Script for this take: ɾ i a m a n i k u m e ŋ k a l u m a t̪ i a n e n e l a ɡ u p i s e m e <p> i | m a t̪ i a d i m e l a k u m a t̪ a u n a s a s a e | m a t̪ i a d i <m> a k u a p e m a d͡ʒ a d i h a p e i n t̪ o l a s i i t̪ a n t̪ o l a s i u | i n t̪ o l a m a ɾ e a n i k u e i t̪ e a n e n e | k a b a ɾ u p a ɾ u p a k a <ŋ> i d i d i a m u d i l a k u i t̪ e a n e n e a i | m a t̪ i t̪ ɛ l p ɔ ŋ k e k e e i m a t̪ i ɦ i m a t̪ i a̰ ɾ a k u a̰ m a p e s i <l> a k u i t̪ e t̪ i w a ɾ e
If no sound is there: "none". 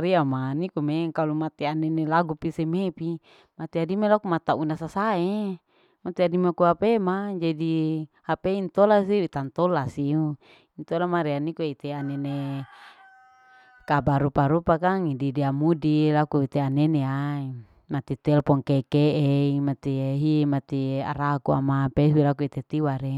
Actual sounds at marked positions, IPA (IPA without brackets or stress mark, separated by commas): p, m, ŋ, l